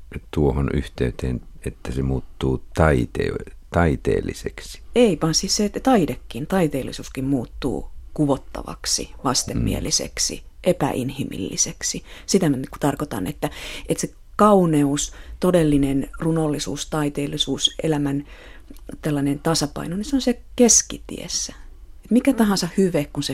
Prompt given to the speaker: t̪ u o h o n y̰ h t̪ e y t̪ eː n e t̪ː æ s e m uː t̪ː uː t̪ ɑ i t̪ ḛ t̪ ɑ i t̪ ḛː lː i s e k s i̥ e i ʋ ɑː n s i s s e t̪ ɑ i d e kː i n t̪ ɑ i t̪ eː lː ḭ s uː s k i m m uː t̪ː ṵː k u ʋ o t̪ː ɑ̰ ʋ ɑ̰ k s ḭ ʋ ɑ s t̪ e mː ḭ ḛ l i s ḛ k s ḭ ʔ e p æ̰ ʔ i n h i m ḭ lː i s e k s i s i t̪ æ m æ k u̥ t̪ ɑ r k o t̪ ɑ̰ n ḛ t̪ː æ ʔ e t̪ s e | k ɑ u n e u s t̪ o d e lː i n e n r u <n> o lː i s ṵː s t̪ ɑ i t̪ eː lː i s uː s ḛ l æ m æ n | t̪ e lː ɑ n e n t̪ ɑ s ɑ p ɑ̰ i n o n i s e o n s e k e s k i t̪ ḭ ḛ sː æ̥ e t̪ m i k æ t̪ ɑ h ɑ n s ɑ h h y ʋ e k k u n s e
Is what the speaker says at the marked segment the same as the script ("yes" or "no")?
yes